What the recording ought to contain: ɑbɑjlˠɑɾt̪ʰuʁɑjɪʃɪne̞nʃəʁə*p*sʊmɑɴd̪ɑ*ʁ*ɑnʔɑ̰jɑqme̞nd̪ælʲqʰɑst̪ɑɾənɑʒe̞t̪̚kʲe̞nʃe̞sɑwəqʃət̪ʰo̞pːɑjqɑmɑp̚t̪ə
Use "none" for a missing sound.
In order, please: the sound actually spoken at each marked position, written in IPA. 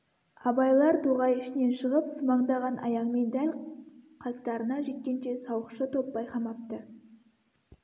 p, ʁ

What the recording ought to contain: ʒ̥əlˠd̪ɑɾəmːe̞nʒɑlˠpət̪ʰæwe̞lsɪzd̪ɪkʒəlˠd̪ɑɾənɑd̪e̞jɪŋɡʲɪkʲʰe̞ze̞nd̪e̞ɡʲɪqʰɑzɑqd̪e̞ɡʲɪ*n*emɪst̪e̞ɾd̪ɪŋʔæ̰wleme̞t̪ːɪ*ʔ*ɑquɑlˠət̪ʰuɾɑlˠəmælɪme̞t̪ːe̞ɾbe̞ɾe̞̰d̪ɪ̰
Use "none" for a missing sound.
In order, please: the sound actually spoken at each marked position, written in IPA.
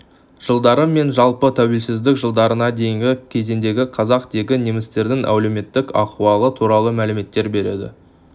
n, k

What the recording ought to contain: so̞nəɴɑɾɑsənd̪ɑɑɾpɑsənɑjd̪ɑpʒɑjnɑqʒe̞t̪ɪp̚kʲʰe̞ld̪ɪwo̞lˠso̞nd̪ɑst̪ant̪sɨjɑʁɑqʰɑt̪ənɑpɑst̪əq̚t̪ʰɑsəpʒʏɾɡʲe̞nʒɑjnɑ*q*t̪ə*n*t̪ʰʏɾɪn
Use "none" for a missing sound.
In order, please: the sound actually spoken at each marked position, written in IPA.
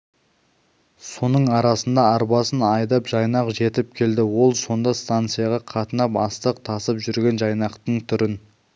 q, ɴ

